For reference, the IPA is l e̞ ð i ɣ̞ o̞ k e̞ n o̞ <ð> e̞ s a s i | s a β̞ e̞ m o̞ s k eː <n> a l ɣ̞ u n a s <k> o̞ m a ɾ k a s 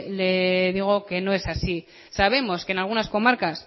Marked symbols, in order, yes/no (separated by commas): no, yes, yes